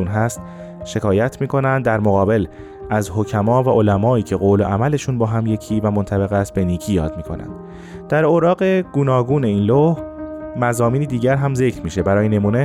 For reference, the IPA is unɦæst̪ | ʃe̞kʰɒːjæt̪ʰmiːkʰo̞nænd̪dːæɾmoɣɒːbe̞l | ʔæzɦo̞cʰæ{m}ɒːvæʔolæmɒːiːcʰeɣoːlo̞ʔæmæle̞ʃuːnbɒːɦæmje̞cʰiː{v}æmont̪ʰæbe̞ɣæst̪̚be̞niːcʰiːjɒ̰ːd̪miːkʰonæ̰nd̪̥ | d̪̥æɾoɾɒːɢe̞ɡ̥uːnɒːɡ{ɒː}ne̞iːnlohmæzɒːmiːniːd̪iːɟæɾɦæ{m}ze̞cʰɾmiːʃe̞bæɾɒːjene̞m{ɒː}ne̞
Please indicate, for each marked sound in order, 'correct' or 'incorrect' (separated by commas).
correct, correct, incorrect, correct, incorrect